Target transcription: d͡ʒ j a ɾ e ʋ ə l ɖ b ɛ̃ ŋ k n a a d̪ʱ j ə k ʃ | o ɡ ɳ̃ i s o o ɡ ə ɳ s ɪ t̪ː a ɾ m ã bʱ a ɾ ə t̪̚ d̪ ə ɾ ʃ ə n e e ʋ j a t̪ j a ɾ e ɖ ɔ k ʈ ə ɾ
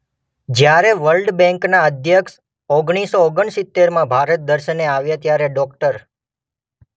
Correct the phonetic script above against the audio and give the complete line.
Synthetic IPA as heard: d͡ʒ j a ɾ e ʋ ə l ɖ b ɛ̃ ŋ k n a ə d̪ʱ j ə k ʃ | o ɡ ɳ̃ i s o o ɡ ə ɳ s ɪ t̪ː e ɾ m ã bʱ a ɾ ə t̪̚ d̪ ə ɾ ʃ ə n e a ʋ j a t̪ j a ɾ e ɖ ɔ k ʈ ə ɾ